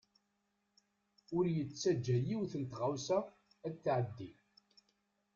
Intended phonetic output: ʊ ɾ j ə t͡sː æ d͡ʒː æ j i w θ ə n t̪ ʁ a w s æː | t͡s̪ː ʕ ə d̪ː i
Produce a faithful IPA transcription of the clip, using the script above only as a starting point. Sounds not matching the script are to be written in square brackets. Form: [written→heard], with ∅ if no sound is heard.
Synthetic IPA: ʊ ɾ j ə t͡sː æ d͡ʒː æ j i w θ ə n t̪ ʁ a w s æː | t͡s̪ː ʕ ə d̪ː i